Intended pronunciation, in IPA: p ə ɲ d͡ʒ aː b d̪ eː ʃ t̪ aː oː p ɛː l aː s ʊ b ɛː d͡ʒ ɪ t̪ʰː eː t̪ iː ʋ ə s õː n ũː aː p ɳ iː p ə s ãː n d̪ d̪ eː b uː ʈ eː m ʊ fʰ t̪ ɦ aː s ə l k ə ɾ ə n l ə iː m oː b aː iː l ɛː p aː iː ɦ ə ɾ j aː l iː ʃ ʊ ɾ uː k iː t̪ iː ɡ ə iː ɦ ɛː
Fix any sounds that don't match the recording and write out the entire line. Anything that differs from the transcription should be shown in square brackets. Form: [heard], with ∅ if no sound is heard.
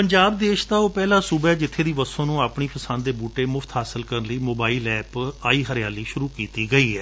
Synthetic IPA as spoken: p ə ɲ d͡ʒ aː b d̪ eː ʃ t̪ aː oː p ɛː l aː s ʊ b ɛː d͡ʒ ɪ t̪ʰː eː [d̪] iː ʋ ə s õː n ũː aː p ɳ iː p ə s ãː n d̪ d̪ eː b uː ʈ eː m ʊ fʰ t̪ ɦ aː s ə l k ə ɾ ə n l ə iː m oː b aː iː l ɛː p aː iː ɦ ə ɾ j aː l iː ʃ ʊ ɾ uː k iː t̪ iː ɡ ə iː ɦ ɛː